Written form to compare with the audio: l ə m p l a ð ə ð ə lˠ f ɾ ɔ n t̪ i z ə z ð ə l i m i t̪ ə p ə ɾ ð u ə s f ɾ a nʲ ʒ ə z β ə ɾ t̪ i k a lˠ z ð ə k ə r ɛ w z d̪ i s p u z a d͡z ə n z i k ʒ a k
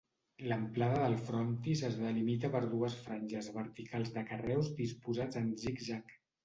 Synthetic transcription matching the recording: l ə m p l a ð ə ð ə lˠ f ɾ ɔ n t̪ i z ə z ð ə l i m i t̪ ə p ə ɾ ð u ə s f ɾ a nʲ ʒ ə z β ə ɾ t̪ i k a lˠ z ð ə k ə r ɛ w z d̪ i s p u z a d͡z ə n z i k ʒ a k